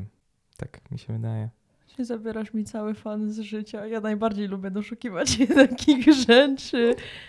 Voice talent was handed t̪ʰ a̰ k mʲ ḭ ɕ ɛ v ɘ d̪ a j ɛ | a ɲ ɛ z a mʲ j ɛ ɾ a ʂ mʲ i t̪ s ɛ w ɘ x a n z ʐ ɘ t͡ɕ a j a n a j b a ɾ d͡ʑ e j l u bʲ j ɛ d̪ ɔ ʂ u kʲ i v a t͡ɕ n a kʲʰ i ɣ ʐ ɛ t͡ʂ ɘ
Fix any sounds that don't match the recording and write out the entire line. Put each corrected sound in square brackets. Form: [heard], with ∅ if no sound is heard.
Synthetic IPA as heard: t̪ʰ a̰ k mʲ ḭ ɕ ɛ v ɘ d̪ a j ɛ | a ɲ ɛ z a [bʲ] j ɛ ɾ a ʂ mʲ i t̪ s [a] w ɘ [f] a n z ʐ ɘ t͡ɕ a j a n a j b a ɾ d͡ʑ e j l u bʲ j ɛ d̪ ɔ ʂ u kʲ i v a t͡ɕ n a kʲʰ i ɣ ʐ ɛ t͡ʂ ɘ